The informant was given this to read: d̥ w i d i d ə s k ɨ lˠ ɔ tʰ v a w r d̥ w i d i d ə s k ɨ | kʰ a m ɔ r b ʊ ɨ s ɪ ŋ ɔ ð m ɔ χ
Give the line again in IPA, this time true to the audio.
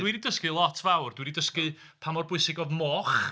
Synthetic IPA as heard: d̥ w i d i d ə s k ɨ lˠ ɔ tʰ v a w r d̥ w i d i d ə s k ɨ | pʰ a m ɔ r b ʊ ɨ s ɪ ɡ ɔ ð m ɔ χ